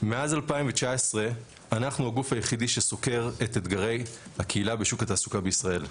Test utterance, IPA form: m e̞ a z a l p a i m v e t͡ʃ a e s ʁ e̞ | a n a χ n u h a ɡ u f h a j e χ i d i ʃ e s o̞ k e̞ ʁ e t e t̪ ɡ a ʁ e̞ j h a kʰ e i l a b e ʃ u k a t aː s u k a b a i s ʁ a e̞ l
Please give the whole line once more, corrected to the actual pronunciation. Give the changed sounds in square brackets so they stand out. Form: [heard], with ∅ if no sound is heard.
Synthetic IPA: m e̞ a z a l p a i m v e t͡ʃ a e s ʁ e̞ | a n a χ n u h a ɡ u f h a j e χ i d i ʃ e s o̞ k e̞ ʁ e t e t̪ ɡ a ʁ e̞ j h a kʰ e i l a b e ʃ u k a t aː s u k a b [e] i s ʁ a e̞ l